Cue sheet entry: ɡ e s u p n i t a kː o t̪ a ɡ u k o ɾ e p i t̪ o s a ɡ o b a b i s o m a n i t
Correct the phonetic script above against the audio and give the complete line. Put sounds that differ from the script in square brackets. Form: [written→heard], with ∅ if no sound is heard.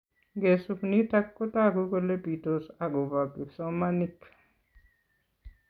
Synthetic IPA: ɡ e s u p n i t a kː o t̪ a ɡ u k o [ɾ→l] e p i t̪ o s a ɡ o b a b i s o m a n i [t→k]